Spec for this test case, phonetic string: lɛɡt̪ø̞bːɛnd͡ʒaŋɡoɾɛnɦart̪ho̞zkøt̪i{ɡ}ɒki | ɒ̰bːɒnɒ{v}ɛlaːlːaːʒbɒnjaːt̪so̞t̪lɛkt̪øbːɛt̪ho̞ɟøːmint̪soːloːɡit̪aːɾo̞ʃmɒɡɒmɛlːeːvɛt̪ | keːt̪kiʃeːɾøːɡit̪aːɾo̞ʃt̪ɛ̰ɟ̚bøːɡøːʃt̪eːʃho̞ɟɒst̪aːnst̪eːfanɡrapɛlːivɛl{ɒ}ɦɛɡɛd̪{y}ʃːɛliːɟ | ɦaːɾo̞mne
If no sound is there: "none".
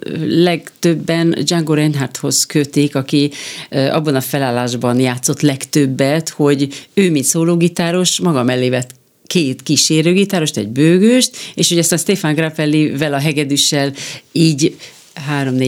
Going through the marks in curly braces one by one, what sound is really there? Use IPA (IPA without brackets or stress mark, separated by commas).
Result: k, f, ɒ, y